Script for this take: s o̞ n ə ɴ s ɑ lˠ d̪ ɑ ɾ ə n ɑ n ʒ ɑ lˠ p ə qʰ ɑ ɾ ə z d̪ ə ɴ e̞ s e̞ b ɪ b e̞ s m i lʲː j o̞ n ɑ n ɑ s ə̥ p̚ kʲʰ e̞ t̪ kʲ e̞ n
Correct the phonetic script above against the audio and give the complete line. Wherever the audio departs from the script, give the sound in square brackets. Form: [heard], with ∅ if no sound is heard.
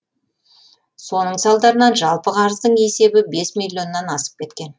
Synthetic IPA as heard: s o̞ n ə ɴ s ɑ lˠ d̪ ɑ ɾ ə n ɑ n ʒ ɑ lˠ p ə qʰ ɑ ɾ ə z d̪ ə ɴ e̞ s e̞ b ɪ b e̞ s m i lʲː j o̞ [nː] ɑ n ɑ s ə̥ p̚ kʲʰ e̞ t̪ kʲ e̞ n